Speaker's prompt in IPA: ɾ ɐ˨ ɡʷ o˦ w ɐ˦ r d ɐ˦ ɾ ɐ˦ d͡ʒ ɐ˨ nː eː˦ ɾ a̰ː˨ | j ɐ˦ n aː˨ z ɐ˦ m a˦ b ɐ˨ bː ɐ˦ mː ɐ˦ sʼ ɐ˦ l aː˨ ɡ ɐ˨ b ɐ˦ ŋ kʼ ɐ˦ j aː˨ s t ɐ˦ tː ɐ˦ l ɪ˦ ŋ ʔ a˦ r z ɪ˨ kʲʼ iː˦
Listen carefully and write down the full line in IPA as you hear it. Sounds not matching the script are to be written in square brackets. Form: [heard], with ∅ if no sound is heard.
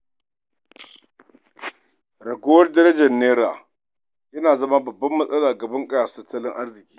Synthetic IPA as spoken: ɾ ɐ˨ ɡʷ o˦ w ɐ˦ r d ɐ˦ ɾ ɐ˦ d͡ʒ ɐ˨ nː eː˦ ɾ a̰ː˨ | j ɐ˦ n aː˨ z ɐ˦ m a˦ b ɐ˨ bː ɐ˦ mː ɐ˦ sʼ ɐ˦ l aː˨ ɡ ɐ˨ b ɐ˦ ŋ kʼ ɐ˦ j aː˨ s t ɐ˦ tː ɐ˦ l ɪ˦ ŋ ʔ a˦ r z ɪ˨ [kʲ] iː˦

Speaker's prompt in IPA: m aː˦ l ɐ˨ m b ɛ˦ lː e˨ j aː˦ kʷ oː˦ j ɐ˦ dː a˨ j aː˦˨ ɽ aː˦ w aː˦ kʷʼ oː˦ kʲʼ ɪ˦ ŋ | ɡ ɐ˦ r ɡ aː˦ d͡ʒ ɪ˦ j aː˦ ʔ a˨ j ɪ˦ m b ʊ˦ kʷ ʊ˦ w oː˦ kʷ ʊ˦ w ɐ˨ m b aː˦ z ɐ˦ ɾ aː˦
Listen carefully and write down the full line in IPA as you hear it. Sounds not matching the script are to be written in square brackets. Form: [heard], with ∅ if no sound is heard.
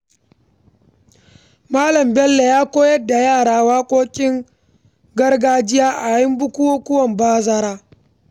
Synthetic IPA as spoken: m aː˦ l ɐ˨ m b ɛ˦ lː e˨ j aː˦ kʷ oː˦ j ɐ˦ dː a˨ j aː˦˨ ɽ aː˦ w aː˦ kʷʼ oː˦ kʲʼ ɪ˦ ŋ | ɡ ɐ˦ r ɡ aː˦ d͡ʒ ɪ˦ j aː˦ ʔ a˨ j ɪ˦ m b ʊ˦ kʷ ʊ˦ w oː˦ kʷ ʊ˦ w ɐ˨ m b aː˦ z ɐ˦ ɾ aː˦

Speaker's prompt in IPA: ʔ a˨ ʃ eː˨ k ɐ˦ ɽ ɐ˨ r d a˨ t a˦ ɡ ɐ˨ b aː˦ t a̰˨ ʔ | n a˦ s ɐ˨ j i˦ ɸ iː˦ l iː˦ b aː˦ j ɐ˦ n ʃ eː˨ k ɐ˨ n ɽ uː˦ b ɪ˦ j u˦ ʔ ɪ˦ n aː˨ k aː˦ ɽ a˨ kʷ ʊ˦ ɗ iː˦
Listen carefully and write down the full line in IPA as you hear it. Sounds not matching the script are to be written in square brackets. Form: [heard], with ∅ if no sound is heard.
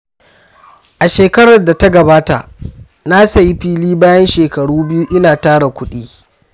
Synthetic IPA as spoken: ʔ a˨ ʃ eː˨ k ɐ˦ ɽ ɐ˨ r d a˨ t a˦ ɡ ɐ˨ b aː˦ t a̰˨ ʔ | n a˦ s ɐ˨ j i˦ ɸ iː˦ l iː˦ b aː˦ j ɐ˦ n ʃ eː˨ k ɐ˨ [∅] ɽ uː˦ b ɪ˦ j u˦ ʔ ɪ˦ n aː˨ [t] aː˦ ɽ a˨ kʷ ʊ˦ ɗ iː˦

